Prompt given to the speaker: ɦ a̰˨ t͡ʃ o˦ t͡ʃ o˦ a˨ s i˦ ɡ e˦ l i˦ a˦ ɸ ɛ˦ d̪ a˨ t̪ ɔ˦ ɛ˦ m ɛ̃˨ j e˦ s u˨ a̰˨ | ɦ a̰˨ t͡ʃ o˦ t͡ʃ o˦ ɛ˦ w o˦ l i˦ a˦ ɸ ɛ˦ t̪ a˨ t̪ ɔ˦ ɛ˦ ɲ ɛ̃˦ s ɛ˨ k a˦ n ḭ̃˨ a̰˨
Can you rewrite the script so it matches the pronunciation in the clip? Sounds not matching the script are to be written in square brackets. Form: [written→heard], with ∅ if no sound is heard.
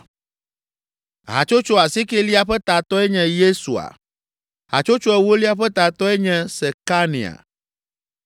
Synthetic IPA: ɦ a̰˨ t͡ʃ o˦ t͡ʃ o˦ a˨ s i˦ [ɡ→k] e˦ l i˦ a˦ ɸ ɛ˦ [d̪→t̪] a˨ t̪ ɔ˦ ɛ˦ [m→ɲ] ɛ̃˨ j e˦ s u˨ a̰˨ | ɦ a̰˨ t͡ʃ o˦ t͡ʃ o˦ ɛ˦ w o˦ l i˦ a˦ ɸ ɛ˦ t̪ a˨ t̪ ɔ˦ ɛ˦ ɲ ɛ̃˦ s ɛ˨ k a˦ n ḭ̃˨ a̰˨